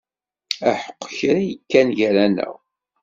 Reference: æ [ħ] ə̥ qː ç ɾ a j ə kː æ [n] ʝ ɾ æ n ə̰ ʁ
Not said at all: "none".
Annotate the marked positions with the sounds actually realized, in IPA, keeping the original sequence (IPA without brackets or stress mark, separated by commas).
ħ, n